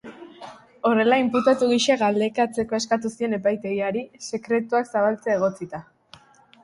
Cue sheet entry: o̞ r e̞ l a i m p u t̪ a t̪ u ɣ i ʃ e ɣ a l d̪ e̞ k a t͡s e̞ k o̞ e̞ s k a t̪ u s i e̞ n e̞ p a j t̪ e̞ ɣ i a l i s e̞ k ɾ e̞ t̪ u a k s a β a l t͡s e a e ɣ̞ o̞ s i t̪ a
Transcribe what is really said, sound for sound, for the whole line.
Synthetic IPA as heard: o̞ r e̞ l a i m p u t̪ a t̪ u ɣ i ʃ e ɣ a l d̪ e̞ k a t͡s e̞ k o̞ e̞ s k a t̪ u s i e̞ n e̞ p a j t̪ e̞ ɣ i a ɾ i s e̞ k ɾ e̞ t̪ u a k s a β a l t͡s e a e ɣ̞ o̞ t͡s i t̪ a